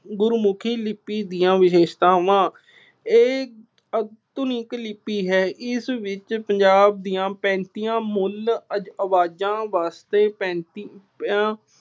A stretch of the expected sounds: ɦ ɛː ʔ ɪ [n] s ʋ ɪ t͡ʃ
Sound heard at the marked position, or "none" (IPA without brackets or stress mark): none